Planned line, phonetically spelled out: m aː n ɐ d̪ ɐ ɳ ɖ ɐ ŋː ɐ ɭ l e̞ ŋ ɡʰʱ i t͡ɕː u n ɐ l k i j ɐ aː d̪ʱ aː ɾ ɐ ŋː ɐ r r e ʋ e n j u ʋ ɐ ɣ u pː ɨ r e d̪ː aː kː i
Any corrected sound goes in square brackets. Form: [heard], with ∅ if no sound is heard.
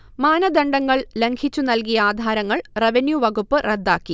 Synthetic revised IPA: m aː n ɐ d̪ ɐ ɳ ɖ ɐ ŋː ɐ ɭ l e̞ ŋ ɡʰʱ i t͡ɕː u n ɐ l k i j ɐ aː d̪ʱ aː ɾ ɐ ŋː ɐ [ɭ] r e ʋ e n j u ʋ ɐ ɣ u pː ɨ r e d̪ː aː kː i